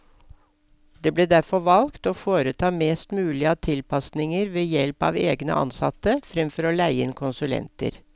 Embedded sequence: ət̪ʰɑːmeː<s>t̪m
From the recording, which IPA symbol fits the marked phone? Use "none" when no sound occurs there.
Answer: s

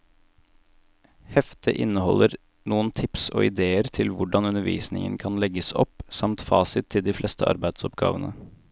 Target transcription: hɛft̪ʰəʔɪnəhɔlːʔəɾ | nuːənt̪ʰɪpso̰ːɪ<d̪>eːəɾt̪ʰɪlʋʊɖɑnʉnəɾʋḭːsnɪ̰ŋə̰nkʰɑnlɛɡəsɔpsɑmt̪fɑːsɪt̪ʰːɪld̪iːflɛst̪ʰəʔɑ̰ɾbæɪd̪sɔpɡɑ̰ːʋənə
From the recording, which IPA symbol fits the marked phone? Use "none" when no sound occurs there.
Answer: d̪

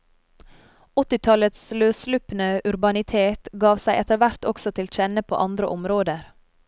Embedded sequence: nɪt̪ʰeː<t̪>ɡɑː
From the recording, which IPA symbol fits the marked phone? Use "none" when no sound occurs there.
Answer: t̪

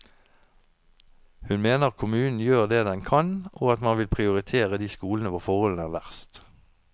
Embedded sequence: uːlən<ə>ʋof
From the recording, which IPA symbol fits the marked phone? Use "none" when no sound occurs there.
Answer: ə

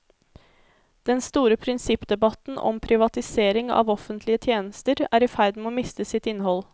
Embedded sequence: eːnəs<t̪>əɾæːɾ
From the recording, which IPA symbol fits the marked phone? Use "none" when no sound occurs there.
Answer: t̪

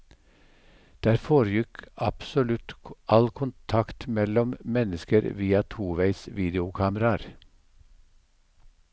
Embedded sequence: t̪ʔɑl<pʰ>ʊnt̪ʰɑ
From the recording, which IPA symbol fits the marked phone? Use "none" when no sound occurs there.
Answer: kʰ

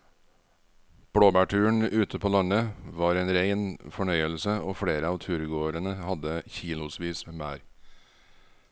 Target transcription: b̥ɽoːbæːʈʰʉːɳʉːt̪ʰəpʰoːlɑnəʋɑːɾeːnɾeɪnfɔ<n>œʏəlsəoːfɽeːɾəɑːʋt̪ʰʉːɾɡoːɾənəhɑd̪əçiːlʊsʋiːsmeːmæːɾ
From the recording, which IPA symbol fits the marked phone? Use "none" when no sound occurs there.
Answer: ɳ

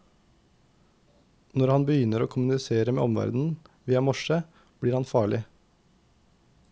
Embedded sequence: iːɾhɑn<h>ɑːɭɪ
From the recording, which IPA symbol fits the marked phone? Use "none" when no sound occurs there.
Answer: f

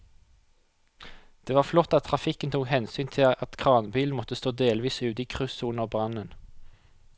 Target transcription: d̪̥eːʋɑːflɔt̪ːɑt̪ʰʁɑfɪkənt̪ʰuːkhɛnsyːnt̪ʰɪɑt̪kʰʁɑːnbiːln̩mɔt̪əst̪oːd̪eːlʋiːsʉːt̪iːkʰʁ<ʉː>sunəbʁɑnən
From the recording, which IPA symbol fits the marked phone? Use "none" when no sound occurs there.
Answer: ʉ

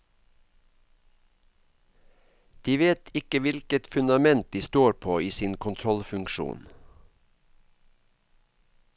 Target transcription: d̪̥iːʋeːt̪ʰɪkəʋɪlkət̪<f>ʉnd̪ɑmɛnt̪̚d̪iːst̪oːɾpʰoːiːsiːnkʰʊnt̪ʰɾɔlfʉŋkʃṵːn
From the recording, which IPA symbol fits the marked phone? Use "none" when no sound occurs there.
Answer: f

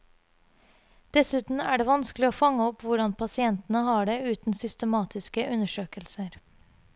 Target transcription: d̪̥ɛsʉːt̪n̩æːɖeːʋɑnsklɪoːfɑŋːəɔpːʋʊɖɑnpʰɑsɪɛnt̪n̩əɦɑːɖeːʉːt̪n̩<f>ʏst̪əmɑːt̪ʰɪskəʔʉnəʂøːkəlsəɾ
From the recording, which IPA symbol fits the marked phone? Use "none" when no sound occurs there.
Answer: s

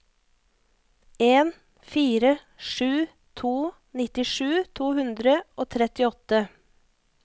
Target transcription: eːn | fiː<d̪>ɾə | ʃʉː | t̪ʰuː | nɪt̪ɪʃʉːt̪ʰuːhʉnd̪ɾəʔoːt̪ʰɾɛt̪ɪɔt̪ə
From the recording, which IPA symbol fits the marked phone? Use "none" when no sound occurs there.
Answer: none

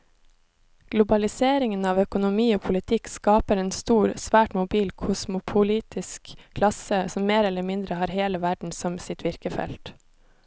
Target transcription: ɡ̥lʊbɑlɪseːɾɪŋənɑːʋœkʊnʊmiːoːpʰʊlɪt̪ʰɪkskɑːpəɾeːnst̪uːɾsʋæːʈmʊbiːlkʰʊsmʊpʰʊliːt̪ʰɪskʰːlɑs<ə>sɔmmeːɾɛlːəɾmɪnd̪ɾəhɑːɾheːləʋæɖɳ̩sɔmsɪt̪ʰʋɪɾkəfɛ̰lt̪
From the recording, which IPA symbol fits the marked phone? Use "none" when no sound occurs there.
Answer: ə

